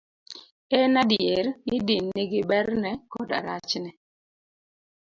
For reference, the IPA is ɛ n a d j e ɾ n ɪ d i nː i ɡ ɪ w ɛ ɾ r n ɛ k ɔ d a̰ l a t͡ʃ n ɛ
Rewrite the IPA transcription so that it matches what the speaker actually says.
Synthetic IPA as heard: ɛ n a d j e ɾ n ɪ d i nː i ɡ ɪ b ɛ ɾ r n ɛ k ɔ d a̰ ɾ a t͡ʃ n ɛ